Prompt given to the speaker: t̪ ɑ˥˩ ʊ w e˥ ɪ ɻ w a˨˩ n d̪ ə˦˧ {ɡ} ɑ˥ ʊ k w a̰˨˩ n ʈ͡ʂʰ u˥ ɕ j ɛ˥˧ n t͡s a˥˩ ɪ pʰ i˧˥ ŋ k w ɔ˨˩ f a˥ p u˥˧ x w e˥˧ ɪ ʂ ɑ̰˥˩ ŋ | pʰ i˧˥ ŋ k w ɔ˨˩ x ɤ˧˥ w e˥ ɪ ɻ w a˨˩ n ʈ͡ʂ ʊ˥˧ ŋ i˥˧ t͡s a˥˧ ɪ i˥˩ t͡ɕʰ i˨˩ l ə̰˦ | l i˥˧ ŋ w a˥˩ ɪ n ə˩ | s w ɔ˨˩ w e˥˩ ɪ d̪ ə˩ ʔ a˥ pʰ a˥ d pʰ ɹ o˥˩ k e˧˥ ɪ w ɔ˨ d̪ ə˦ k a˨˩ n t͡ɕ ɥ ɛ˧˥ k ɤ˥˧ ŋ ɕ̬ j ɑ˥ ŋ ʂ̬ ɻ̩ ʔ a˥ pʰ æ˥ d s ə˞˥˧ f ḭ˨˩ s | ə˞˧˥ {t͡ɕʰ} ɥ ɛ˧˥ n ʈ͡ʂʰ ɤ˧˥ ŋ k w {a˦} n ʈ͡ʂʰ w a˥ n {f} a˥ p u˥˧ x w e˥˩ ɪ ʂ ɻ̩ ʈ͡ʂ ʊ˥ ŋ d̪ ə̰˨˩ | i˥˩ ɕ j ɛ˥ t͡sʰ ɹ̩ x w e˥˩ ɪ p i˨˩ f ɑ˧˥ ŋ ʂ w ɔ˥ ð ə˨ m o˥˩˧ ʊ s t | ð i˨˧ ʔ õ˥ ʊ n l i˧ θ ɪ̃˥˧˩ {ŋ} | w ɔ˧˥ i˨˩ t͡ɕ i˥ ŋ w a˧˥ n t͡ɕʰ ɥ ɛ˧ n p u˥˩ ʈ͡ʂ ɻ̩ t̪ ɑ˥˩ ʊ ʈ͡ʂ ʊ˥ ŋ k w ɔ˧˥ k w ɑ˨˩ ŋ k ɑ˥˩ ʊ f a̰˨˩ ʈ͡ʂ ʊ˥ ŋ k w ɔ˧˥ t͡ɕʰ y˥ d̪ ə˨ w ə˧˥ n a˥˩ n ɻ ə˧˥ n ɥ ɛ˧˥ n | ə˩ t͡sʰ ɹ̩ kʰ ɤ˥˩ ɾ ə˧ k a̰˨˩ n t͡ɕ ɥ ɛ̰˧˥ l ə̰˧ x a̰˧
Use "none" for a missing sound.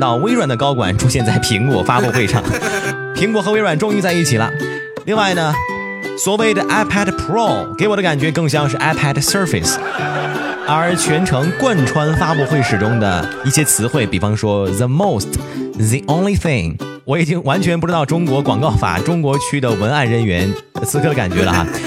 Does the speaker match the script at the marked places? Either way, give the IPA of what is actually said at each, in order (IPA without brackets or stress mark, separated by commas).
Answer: k, t͡ɕʰ, a˥˩, f, ŋ